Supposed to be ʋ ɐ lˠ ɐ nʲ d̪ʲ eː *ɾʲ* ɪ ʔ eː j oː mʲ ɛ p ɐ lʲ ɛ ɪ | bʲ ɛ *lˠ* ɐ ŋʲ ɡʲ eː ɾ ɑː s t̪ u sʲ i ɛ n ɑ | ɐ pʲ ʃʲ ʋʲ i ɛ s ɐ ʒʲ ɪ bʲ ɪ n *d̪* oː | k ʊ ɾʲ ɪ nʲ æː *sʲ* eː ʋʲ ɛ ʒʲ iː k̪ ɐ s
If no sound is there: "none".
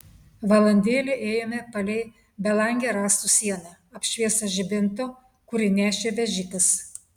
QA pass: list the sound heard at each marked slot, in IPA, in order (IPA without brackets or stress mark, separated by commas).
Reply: lʲ, lˠ, t̪, ʃʲ